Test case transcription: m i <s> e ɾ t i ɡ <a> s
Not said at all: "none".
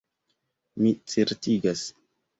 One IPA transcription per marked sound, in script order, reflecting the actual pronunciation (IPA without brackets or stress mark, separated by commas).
t͡s, a